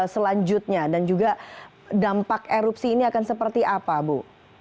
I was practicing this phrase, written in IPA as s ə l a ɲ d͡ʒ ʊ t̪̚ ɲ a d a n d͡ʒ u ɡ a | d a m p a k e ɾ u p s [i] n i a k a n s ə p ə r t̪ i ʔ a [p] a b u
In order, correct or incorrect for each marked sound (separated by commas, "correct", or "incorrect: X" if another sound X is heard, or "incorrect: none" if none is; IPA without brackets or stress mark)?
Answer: incorrect: iː, correct